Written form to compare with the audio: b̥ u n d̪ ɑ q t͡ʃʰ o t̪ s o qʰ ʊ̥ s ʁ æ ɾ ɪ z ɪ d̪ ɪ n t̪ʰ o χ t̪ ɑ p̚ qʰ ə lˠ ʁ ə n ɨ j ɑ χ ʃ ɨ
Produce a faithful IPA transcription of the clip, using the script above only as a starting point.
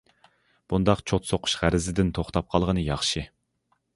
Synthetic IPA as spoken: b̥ u n d̪ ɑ q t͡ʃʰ o t̪ s o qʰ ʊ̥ ʃ ʁ æ ɾ ɪ z ɪ d̪ ɪ n t̪ʰ o χ t̪ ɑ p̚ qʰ ɑ lˠ ʁ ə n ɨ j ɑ χ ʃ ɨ